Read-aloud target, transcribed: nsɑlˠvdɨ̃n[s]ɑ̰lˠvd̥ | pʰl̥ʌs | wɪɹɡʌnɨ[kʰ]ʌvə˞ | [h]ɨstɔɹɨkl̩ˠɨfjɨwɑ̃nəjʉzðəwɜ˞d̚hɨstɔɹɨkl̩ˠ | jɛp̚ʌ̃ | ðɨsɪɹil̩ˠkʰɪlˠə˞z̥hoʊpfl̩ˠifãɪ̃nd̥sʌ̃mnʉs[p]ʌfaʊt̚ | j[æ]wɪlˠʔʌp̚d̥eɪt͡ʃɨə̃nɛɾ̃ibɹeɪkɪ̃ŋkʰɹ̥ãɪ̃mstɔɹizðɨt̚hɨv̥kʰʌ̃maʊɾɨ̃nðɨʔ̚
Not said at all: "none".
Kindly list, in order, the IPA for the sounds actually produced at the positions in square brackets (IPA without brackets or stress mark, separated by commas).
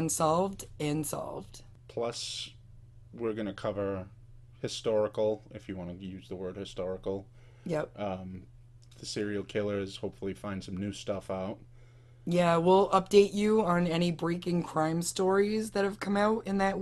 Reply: s, kʰ, h, t, æ